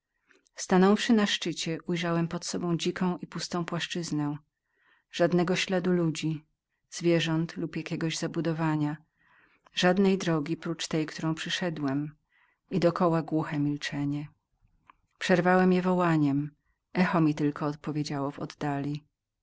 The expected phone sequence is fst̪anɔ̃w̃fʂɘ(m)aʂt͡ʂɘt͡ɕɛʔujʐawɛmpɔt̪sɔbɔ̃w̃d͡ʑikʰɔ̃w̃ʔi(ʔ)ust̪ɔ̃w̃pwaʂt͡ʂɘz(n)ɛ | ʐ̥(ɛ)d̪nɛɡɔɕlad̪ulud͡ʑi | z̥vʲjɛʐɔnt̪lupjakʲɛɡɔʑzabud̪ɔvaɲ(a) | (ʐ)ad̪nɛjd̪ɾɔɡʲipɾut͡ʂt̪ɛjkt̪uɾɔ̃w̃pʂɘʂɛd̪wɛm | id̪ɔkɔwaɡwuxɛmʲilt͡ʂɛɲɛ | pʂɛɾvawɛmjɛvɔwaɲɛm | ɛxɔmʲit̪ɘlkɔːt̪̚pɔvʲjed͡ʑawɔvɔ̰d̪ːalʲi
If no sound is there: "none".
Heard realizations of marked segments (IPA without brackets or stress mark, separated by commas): n, p, n, a, a, ʐ